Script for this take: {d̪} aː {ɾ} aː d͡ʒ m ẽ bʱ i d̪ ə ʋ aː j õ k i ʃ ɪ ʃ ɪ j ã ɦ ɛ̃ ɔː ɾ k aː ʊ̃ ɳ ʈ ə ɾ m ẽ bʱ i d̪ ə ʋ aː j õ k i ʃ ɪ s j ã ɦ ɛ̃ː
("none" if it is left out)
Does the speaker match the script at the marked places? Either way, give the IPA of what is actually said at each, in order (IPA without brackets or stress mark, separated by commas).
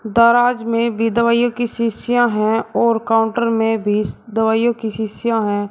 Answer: d̪, ɾ